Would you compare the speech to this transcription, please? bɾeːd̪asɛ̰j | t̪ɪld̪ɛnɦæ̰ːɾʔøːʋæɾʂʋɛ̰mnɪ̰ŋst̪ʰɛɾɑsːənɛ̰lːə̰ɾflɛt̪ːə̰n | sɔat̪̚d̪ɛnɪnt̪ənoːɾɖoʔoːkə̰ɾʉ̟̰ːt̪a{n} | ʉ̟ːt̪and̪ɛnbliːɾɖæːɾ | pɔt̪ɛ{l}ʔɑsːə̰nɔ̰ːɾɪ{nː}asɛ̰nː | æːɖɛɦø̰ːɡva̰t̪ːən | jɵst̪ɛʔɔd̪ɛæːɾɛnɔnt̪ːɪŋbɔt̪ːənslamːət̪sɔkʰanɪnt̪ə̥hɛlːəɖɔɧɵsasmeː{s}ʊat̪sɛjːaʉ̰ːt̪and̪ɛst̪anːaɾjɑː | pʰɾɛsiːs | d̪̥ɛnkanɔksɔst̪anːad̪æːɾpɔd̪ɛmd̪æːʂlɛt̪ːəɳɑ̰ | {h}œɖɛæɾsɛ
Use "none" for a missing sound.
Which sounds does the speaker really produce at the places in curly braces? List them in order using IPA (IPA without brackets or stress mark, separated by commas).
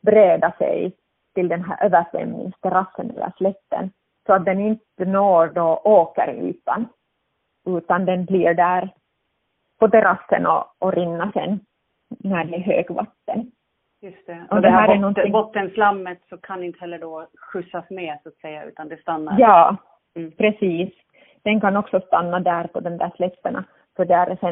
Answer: n, ɾ, nː, s, f